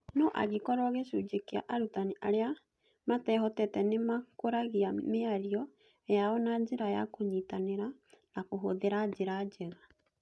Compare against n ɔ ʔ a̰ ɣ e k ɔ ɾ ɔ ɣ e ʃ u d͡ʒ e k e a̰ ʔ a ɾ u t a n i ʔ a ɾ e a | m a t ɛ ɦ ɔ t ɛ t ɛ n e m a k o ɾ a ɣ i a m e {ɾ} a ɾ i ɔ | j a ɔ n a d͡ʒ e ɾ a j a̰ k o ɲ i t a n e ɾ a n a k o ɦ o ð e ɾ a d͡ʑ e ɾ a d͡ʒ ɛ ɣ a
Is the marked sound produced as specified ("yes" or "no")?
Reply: no